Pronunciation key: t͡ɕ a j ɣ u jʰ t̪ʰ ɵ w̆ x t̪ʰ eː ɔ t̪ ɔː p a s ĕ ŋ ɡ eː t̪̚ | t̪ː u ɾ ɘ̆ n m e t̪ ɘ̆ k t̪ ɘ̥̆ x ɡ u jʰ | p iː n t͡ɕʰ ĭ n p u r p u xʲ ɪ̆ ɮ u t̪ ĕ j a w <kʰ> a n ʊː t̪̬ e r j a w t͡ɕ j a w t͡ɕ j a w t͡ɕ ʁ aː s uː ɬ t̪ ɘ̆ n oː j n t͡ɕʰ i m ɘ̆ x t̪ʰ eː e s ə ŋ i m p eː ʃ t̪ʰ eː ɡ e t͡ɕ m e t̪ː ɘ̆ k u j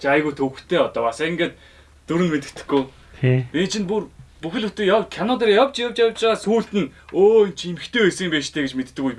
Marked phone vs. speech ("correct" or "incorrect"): correct